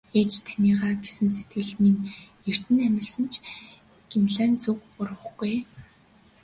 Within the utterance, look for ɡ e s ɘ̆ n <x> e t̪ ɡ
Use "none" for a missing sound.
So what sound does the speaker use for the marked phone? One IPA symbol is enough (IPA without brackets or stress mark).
s